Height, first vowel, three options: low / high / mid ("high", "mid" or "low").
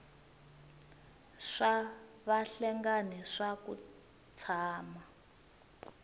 low